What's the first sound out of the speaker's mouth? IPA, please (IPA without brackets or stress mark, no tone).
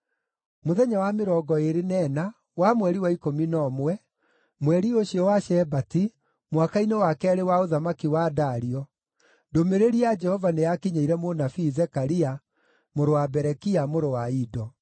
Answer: m